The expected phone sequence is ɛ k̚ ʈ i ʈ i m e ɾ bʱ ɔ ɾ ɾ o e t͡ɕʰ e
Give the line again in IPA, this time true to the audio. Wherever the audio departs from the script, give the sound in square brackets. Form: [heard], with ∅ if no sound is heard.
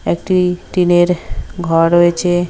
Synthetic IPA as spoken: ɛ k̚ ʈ i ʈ i [n] e ɾ [ɡʱ] ɔ ɾ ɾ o e t͡ɕʰ e